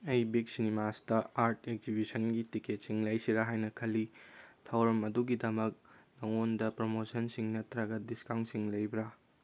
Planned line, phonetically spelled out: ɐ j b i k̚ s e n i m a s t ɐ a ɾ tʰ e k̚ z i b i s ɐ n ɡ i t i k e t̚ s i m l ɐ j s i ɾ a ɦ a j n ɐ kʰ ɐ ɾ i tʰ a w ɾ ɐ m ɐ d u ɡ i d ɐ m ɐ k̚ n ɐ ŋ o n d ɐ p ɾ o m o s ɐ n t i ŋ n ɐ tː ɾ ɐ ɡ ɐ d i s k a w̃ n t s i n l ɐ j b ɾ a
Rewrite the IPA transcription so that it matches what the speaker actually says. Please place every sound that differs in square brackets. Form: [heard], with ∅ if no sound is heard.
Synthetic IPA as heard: ɐ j b i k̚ s [i] n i m a s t ɐ a ɾ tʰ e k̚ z i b i s ɐ n ɡ i t i k e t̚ s i [ŋ] l ɐ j s i ɾ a ɦ a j n ɐ kʰ ɐ [l] i tʰ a w ɾ ɐ m ɐ d u ɡ i d ɐ m ɐ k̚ n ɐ ŋ o n d ɐ p ɾ o m o s ɐ n [s] i ŋ n ɐ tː ɾ ɐ ɡ ɐ d i s k a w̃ n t s i [ŋ] l ɐ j b ɾ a